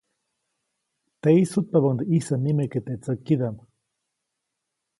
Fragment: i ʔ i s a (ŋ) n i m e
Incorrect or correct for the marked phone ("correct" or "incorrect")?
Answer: incorrect